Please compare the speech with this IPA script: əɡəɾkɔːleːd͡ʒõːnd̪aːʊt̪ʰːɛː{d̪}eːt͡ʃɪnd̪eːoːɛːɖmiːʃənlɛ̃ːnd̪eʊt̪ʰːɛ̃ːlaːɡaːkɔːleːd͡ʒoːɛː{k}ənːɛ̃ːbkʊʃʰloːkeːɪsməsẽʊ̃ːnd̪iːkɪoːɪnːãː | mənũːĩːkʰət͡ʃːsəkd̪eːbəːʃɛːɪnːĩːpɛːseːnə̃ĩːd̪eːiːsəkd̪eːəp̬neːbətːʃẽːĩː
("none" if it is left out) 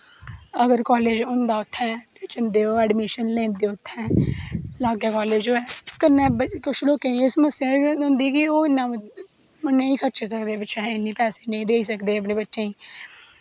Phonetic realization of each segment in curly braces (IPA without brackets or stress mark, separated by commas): t̪, k